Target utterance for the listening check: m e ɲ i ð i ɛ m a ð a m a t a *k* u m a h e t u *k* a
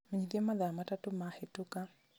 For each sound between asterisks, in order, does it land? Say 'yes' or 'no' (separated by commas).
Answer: no, yes